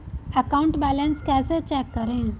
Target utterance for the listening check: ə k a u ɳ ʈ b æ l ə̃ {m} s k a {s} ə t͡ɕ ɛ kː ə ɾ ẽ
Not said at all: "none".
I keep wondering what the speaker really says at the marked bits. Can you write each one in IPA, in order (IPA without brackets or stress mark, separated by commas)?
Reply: n, s